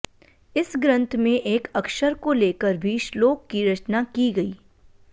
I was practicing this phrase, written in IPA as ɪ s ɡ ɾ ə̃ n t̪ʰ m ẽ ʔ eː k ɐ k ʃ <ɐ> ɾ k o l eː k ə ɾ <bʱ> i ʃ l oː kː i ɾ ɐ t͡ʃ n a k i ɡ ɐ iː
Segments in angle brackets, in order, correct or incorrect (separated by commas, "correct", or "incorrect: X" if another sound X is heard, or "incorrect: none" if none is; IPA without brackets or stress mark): incorrect: ə, correct